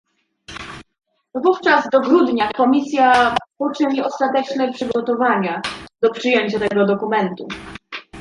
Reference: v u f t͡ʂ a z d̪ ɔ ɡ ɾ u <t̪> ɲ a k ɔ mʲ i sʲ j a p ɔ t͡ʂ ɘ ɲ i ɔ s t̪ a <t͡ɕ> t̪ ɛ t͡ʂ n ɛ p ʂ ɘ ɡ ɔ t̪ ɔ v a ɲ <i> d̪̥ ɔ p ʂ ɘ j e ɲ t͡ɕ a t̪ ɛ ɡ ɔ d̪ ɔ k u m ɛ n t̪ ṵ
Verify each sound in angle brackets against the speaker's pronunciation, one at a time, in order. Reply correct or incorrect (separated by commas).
incorrect, incorrect, incorrect